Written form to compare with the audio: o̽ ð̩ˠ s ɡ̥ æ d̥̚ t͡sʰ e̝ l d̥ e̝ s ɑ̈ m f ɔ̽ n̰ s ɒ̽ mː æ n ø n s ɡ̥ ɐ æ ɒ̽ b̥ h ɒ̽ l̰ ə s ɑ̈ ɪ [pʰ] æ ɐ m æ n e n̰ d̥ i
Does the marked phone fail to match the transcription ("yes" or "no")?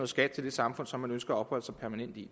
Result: no